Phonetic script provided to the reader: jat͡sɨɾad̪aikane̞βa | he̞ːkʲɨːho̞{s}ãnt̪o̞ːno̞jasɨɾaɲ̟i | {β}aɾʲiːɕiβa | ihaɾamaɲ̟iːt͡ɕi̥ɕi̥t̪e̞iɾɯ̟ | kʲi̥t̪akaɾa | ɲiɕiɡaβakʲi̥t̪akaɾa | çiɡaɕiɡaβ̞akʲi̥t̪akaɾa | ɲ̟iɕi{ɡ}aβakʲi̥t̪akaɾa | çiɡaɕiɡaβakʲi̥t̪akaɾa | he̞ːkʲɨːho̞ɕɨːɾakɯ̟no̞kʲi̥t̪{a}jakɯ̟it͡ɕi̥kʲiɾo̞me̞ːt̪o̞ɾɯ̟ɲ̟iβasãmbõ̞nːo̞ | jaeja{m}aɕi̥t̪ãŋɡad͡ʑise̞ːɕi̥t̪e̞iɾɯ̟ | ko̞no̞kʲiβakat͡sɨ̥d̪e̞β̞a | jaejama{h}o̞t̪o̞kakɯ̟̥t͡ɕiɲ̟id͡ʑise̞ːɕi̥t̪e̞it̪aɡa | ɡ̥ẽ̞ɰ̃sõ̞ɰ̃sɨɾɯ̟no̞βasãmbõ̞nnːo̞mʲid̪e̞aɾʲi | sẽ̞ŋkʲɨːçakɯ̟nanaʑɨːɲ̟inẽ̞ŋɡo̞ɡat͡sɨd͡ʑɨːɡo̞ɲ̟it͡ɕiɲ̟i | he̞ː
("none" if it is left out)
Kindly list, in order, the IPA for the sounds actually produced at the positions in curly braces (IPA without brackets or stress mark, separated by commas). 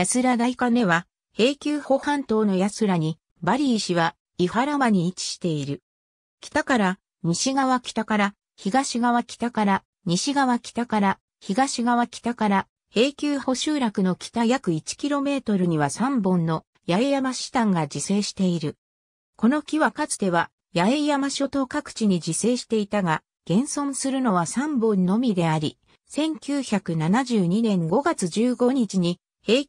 h, b, ɡ, a, m, ɕ